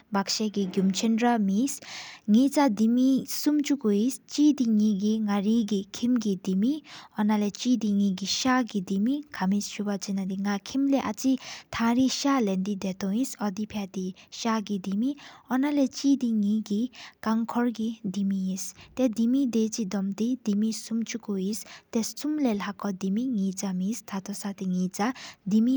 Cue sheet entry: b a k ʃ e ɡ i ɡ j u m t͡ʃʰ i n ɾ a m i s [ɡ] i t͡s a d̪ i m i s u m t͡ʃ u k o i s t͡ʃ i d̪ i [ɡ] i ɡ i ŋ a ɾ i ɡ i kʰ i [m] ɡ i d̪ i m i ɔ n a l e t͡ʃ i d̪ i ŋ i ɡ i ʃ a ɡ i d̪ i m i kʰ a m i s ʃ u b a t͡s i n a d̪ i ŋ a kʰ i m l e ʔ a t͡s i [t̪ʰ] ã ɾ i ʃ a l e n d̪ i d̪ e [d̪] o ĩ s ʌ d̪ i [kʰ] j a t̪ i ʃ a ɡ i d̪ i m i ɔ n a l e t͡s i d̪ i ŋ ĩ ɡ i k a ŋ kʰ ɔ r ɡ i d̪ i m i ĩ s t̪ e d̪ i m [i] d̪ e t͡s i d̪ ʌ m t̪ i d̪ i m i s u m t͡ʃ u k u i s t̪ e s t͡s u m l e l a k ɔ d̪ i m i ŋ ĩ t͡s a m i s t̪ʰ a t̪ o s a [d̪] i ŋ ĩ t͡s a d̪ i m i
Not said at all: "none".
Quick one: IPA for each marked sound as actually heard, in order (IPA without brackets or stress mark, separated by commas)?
ŋ, ŋ, m, t̪ʰ, t̪, pʰ, i, t̪